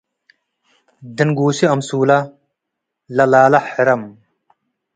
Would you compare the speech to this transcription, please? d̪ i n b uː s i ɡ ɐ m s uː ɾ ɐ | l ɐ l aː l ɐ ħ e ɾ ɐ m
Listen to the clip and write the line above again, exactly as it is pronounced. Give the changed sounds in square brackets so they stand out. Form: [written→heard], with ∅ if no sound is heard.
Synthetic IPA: d̪ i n [b→ɡ] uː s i [ɡ→∅] ɐ m s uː [ɾ→l] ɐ | l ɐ l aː l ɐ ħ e ɾ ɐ m